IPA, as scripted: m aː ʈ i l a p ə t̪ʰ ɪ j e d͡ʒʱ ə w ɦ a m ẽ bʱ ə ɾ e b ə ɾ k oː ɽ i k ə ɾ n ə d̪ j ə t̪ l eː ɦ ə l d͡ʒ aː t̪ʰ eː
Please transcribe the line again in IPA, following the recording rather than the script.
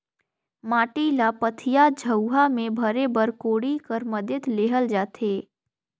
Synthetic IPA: m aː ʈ i l a p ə t̪ʰ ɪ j a d͡ʒʱ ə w ɦ a m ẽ bʱ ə ɾ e b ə ɾ k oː ɽ i k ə ɾ m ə d̪ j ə t̪ l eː ɦ ə l d͡ʒ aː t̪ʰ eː

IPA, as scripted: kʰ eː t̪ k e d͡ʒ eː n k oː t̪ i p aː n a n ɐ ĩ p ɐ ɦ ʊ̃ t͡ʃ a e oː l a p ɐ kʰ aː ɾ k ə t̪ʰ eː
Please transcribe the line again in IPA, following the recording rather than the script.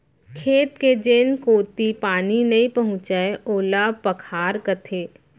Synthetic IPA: kʰ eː t̪ k e d͡ʒ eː n k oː t̪ i p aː n i n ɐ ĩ p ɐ ɦ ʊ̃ t͡ʃ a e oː l a p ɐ kʰ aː ɾ k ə t̪ʰ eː

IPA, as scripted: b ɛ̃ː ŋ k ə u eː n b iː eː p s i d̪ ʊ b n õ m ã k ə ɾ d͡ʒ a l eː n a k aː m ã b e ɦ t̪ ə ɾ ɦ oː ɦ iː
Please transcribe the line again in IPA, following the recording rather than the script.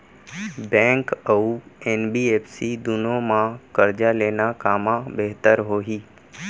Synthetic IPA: b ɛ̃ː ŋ k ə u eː n b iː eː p s i d̪ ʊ n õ m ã k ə ɾ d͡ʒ a l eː n a k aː m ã b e ɦ t̪ ə ɾ ɦ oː ɦ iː

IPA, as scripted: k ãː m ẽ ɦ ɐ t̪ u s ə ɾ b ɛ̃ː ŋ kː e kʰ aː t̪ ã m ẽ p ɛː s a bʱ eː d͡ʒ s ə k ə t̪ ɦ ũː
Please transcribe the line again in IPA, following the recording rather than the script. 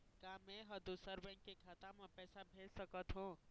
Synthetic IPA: k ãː m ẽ ɦ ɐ d̪ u s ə ɾ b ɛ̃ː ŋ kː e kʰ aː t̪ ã m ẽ p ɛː s a bʱ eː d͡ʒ s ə k ə t̪ ɦ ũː

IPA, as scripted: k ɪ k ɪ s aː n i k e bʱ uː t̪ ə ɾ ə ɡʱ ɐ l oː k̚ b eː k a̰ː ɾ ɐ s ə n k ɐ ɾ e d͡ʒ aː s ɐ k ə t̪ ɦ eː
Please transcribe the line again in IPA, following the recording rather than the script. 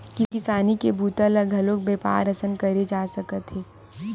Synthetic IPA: k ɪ k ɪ s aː n i k e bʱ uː t̪ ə l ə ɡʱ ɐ l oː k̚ b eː p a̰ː ɾ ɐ s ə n k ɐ ɾ e d͡ʒ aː s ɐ k ə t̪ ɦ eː

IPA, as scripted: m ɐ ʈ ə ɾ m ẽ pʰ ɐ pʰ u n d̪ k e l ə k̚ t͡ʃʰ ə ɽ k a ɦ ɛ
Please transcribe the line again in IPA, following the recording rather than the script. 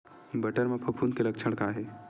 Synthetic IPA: b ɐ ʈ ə ɾ m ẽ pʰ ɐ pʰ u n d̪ k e l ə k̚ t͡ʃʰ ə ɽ k a ɦ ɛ

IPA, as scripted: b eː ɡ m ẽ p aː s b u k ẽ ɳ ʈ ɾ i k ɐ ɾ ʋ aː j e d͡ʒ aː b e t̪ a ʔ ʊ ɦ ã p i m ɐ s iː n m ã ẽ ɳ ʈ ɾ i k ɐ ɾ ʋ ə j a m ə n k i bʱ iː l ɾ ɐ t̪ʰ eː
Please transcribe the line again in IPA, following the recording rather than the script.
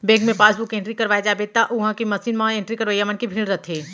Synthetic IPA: b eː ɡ m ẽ p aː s b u k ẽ ɳ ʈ ɾ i k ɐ ɾ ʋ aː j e d͡ʒ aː b e t̪ a ʔ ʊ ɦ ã k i m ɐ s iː n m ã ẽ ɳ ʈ ɾ i k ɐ ɾ ʋ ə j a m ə n k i bʱ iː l ɾ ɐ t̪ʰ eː

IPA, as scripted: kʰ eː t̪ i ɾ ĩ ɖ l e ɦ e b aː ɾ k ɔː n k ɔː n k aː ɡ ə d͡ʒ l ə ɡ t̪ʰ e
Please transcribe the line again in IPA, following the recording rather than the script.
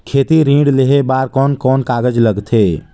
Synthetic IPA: kʰ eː t̪ i ɾ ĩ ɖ l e ɦ e b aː ɾ k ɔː n k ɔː n k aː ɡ ə d͡ʒ l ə ɡ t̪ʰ e

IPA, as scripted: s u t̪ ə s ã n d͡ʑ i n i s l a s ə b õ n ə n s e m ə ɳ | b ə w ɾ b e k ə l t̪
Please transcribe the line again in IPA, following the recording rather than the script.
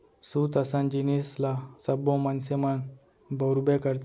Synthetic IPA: s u t̪ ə s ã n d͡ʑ i n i s l a s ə b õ m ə n s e m ə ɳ | b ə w ɾ b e k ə ɾ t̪

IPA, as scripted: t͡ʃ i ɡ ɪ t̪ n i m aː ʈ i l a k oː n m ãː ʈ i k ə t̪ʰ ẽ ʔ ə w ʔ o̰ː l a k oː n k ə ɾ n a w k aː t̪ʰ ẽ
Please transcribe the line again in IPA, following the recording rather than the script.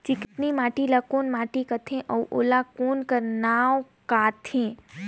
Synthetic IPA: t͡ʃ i k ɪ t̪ n i m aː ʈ i l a k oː n m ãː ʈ i k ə t̪ʰ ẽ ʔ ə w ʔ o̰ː l a k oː n k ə ɾ n a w k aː t̪ʰ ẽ

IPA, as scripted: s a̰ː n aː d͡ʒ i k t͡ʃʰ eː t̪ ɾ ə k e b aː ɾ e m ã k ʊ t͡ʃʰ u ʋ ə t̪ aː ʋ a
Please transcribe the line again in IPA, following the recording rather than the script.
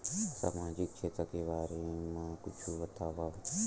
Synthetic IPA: s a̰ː m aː d͡ʒ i k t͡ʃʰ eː t̪ ɾ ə k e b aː ɾ e m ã k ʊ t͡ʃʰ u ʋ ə t̪ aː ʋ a

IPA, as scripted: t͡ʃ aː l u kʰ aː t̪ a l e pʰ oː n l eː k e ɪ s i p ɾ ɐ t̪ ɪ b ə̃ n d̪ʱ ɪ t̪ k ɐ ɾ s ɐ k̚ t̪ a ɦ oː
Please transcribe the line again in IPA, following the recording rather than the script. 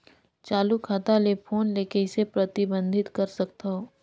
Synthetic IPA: t͡ʃ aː l u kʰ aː t̪ a l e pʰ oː n l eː k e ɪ s e p ɾ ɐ t̪ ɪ b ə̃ n d̪ʱ ɪ t̪ k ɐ ɾ s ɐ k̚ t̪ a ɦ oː

